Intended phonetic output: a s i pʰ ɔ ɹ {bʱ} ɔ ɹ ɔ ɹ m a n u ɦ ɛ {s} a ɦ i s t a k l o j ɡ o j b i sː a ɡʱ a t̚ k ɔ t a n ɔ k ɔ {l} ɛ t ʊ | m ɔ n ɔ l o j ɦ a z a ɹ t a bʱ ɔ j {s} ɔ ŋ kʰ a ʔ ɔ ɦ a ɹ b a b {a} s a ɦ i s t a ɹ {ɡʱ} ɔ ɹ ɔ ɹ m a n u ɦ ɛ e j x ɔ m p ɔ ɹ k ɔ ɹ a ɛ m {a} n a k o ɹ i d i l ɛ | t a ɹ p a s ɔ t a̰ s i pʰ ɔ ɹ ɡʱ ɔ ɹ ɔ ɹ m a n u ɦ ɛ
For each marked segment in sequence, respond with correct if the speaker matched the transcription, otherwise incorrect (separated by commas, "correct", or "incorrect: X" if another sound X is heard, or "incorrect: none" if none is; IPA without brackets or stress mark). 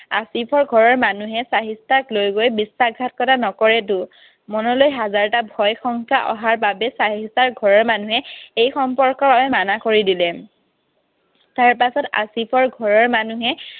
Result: incorrect: ɡʱ, correct, incorrect: ɹ, incorrect: x, incorrect: ɛ, correct, correct